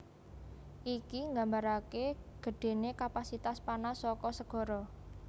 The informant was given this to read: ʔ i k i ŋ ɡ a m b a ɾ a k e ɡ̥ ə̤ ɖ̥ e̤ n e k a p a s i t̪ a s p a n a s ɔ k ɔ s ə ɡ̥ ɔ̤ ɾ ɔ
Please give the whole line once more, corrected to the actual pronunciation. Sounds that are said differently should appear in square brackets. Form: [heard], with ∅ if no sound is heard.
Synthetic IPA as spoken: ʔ i k i ŋ ɡ a m b a ɾ a k e ɡ̥ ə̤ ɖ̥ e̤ n e k a p a s i t̪ a s p a n a s ɔ k ɔ s ə ɡ̥ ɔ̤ ɾ ɔ